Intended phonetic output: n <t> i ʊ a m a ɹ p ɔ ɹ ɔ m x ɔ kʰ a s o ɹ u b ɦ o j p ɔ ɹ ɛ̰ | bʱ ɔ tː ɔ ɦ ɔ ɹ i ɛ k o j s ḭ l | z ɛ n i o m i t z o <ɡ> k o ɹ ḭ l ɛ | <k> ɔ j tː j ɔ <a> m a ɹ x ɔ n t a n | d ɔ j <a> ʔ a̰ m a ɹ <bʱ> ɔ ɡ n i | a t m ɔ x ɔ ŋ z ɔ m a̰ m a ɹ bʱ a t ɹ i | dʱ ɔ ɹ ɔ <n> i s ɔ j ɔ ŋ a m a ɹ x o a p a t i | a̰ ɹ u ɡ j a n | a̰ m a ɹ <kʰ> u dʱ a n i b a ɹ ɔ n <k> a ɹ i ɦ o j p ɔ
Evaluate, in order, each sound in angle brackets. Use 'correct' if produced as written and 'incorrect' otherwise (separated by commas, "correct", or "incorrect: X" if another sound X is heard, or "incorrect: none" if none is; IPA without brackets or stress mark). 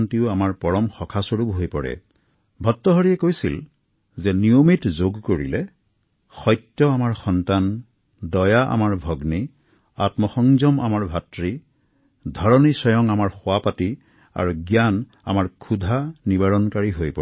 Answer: correct, correct, incorrect: x, correct, correct, correct, correct, correct, correct